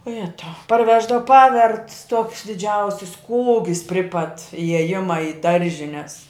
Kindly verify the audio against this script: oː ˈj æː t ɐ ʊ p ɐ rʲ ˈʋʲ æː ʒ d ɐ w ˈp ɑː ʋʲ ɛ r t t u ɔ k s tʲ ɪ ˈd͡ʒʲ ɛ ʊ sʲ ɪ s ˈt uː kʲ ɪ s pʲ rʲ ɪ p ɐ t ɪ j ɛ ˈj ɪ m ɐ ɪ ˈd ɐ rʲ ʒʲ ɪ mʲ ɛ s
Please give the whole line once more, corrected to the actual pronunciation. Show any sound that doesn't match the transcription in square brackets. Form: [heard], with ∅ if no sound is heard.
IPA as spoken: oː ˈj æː t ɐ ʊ p ɐ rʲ ˈʋʲ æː ʒ d ɐ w ˈp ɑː ʋʲ ɛ r t t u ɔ k s [dʲ] ɪ ˈd͡ʒʲ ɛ ʊ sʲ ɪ s [ˈk] uː [ɡʲ] ɪ s pʲ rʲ ɪ p ɐ t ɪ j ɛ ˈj ɪ m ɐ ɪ ˈd ɐ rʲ ʒʲ ɪ [nʲ] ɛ s